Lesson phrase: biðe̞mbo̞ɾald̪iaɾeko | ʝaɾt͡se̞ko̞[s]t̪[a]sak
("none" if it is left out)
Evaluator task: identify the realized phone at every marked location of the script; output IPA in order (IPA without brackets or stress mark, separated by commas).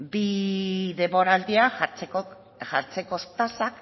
s, a